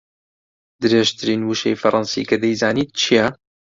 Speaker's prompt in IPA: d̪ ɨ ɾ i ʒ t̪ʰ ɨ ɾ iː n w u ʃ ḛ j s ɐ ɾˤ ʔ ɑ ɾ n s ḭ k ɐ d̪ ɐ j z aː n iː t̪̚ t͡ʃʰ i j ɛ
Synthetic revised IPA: d̪ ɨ ɾ e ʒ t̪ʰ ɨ ɾ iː n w u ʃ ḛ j f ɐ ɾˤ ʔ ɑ n s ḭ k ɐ d̪ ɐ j z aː n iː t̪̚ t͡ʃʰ i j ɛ